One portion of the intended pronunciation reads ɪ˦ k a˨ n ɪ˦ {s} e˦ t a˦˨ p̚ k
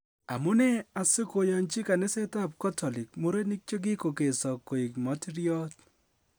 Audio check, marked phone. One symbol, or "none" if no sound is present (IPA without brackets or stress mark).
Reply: s